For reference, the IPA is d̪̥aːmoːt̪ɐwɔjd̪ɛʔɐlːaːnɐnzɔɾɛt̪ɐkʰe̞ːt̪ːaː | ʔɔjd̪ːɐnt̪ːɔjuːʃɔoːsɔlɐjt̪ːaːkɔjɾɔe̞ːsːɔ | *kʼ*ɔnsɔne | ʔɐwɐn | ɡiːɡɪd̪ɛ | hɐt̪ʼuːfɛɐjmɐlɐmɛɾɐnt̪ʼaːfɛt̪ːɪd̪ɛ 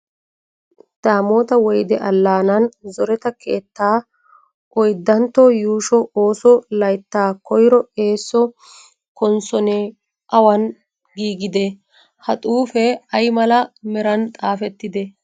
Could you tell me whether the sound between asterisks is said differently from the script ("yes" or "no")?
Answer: yes